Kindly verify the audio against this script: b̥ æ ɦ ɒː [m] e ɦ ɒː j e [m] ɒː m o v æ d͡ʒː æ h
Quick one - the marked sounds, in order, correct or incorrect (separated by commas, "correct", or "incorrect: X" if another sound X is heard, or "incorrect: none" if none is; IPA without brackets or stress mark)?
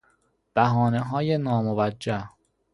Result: incorrect: n, incorrect: n